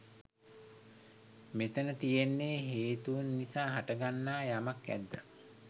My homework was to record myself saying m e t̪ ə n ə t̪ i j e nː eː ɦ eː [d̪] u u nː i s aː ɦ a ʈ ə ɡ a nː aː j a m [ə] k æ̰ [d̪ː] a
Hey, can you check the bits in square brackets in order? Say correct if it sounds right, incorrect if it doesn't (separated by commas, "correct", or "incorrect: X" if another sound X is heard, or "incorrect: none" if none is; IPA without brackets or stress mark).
incorrect: t̪, incorrect: a, correct